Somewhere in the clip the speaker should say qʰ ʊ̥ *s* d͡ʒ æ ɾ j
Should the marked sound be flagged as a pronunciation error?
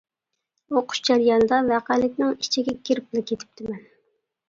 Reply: yes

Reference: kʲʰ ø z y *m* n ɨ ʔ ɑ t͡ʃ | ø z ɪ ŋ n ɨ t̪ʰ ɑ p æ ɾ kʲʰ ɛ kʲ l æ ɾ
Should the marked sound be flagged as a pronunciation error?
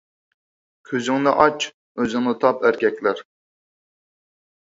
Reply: yes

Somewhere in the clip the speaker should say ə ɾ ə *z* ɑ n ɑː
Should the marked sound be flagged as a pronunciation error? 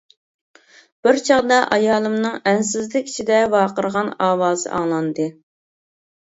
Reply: yes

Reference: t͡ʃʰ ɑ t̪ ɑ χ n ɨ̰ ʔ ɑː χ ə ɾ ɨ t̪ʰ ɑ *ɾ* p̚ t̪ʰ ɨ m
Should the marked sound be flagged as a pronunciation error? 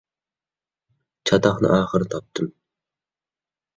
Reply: yes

